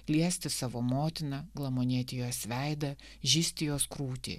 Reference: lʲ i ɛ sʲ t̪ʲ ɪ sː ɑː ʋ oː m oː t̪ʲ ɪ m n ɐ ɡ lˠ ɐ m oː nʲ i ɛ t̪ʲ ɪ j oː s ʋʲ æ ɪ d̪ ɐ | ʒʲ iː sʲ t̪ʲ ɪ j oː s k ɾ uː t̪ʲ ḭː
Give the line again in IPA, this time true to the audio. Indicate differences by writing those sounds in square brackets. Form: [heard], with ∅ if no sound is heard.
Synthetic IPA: lʲ i ɛ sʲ t̪ʲ ɪ [s] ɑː ʋ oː m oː t̪ʲ ɪ [∅] n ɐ ɡ lˠ ɐ m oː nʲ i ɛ t̪ʲ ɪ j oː s ʋʲ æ ɪ d̪ ɐ | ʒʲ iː sʲ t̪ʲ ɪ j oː s k ɾ uː t̪ʲ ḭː